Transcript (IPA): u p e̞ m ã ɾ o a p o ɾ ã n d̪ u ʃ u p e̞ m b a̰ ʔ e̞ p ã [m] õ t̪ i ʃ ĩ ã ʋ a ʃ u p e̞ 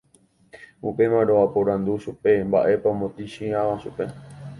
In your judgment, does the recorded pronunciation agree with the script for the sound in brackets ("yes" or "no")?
yes